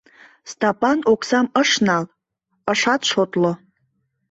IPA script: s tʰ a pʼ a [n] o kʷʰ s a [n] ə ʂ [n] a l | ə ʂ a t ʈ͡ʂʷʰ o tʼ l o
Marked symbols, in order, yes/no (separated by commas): yes, no, yes